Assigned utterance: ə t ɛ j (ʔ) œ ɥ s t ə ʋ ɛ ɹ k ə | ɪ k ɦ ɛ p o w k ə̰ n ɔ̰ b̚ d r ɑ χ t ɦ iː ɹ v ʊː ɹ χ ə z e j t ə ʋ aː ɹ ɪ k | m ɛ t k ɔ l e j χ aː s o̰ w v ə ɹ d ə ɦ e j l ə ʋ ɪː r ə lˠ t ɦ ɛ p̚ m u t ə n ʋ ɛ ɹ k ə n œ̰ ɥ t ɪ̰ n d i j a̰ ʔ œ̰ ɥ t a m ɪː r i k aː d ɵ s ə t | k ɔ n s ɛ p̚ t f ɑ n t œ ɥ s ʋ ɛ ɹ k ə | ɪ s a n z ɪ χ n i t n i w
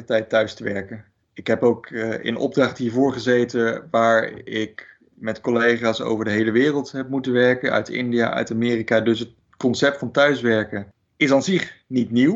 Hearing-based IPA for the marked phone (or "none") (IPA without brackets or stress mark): t